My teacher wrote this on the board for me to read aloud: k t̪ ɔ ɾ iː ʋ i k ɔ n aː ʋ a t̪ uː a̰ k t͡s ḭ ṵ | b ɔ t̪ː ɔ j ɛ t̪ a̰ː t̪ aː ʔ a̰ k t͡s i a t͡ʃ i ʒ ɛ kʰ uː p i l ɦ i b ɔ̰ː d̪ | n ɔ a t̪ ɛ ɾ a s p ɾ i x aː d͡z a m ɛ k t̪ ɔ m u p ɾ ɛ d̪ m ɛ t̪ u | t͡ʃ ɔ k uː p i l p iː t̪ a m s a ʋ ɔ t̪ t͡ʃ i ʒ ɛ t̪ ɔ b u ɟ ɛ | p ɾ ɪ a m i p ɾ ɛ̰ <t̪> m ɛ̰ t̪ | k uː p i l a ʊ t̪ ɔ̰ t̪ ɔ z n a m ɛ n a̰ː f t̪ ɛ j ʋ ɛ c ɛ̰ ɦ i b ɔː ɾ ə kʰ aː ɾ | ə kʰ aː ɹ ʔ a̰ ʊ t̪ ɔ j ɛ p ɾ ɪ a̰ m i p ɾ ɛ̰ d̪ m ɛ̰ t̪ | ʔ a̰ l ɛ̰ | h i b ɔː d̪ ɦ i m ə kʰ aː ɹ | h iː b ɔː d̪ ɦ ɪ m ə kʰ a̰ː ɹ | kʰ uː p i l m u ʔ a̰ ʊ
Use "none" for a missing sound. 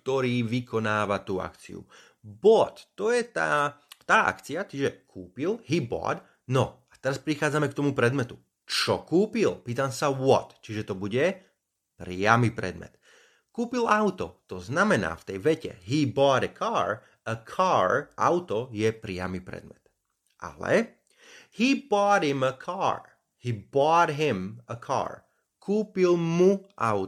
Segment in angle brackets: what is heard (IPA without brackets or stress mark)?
d̪